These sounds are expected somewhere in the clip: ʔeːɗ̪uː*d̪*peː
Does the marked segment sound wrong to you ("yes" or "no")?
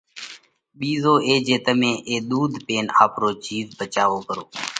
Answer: no